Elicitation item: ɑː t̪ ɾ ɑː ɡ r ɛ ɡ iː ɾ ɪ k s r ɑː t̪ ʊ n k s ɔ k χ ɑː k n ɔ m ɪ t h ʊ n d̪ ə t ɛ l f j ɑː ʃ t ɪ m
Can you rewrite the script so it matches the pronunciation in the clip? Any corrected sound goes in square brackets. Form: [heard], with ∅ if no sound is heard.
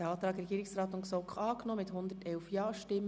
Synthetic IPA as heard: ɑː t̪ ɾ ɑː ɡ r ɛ ɡ iː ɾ ɪ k s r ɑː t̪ ʊ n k s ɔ k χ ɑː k n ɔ m ɪ t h ʊ n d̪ ə t ɛ l f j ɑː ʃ t ɪ m

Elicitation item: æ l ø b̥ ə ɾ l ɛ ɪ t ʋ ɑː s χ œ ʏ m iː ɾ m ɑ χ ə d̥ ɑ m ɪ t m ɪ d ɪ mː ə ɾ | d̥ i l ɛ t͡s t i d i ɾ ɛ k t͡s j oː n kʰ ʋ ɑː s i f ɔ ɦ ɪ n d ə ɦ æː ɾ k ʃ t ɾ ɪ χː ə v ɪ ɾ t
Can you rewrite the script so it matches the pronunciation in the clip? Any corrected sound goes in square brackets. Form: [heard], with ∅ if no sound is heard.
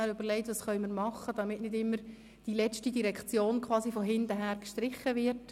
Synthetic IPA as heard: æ [ɾ] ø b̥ ə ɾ l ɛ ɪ t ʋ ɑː s χ œ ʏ m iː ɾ m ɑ χ ə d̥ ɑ m ɪ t [n] ɪ d ɪ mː ə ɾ | d̥ i l ɛ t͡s t i d i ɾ ɛ k t͡s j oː n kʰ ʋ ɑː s i f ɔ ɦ ɪ n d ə ɦ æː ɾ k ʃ t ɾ ɪ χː ə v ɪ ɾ t

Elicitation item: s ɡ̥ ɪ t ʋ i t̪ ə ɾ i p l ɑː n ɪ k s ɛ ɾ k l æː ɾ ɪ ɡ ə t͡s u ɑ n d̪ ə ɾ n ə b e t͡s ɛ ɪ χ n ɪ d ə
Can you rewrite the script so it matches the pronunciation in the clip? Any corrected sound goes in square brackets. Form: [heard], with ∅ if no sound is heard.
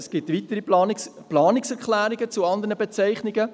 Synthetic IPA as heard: s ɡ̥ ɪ t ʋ i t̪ ə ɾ i p l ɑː n ɪ k s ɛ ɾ k l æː ɾ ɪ ɡ ə t͡s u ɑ n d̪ ə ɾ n ə b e t͡s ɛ ɪ χ n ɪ [ɡ] ə

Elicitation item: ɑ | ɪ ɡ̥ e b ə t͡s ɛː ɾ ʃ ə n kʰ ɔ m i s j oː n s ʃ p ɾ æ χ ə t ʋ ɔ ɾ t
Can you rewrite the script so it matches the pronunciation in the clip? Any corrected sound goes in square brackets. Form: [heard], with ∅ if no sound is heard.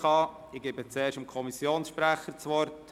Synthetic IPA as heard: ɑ | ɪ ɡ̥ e b ə t͡s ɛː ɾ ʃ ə [m] kʰ ɔ m i s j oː n s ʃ p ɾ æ χ ə [t͡s] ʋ ɔ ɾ t

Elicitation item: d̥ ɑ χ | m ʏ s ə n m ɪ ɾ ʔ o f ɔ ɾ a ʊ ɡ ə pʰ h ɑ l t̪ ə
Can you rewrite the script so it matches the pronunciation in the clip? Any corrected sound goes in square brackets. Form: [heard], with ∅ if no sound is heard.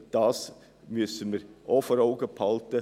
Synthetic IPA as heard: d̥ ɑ [s] | m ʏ s ə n m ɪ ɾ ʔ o f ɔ ɾ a ʊ ɡ ə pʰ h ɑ l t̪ ə

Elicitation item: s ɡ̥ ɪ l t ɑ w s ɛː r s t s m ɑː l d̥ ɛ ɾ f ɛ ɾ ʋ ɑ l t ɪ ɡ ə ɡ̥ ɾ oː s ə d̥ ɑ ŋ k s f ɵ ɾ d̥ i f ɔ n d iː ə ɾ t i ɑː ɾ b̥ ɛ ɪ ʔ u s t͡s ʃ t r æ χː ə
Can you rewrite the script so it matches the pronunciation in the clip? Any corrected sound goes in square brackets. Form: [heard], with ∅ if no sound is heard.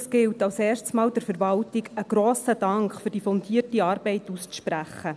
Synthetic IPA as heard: s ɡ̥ ɪ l t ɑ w s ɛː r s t s m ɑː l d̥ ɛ ɾ f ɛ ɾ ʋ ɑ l t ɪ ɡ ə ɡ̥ ɾ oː s ə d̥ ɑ ŋ k [χ] f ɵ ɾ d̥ i f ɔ n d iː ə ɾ t i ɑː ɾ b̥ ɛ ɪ [t] u s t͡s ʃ [p] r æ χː ə

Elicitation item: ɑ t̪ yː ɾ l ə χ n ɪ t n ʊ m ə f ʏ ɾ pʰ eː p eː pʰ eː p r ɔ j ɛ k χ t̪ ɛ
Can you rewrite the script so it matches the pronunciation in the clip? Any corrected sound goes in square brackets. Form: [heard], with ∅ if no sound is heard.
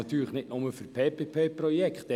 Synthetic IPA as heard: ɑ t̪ yː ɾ l ə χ n ɪ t n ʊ m ə f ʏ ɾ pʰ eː p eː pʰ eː p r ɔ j ɛ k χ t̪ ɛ

